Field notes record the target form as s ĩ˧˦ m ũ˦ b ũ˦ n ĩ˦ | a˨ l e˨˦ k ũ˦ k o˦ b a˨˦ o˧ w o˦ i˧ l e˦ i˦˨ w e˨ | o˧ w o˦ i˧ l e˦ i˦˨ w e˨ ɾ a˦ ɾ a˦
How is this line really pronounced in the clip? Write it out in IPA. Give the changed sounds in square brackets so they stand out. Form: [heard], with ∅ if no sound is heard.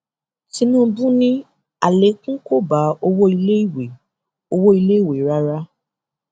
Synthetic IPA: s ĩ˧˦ [n] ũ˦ b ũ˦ n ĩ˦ | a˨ l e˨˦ k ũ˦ k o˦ b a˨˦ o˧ w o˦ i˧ l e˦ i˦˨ w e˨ | o˧ w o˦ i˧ l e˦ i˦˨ w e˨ ɾ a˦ ɾ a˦